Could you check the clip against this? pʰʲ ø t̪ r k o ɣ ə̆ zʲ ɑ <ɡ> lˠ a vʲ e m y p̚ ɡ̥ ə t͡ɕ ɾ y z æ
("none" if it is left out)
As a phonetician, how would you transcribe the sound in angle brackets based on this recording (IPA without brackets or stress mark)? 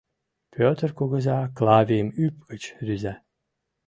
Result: k